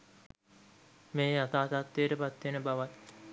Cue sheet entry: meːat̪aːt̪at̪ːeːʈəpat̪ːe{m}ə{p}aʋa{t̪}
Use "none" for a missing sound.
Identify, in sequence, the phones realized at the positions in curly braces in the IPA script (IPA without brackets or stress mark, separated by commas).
n, b, t̪